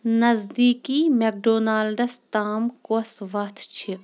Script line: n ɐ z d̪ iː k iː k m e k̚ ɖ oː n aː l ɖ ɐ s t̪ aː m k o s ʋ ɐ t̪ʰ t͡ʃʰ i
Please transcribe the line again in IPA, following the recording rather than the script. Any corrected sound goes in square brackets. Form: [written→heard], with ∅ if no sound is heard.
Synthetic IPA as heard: n ɐ z d̪ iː k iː [k→∅] m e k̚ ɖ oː n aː l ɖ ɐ s t̪ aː m k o s ʋ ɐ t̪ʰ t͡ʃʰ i